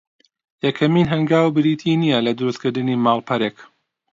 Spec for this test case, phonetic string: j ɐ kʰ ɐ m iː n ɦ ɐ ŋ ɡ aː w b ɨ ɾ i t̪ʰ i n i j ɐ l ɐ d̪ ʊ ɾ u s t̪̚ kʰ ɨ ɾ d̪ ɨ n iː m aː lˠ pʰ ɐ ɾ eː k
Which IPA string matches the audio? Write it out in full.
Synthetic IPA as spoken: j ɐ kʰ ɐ m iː n ɦ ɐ ŋ ɡ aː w b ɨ ɾ i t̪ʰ i n i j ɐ l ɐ d̪ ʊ ɾ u s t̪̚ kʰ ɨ ɾ d̪ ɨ n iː m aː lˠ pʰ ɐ ɾ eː k